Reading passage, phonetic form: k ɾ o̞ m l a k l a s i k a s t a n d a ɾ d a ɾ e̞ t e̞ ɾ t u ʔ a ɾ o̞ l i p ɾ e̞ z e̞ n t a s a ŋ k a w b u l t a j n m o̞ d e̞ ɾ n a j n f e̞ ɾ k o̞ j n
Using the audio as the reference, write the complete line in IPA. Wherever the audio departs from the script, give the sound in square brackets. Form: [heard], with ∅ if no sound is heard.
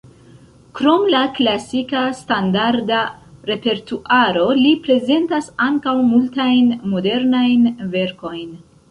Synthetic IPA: k ɾ o̞ m l a k l a s i k a s t a n d a ɾ d a ɾ e̞ [p] e̞ ɾ t u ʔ a ɾ o̞ l i p ɾ e̞ z e̞ n t a s a ŋ k a w [m] u l t a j n m o̞ d e̞ ɾ n a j n [v] e̞ ɾ k o̞ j n